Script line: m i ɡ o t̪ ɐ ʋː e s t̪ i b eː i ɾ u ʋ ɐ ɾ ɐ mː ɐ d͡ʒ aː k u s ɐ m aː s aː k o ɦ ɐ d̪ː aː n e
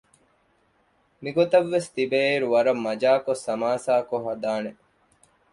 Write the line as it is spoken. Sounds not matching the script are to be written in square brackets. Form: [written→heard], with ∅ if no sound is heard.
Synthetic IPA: m i ɡ o t̪ ɐ ʋː e s t̪ i b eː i ɾ u ʋ ɐ ɾ ɐ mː ɐ d͡ʒ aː k [u→o] s ɐ m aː s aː k o ɦ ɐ [d̪ː→d̪] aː n e